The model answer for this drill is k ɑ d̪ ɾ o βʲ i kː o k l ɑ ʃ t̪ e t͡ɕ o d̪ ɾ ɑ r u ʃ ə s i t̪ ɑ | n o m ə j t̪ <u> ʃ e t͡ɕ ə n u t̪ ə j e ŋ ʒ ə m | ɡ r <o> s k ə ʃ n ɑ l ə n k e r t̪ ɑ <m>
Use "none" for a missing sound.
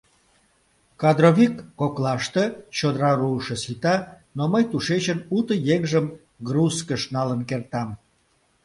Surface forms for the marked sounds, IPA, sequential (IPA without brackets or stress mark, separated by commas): u, u, m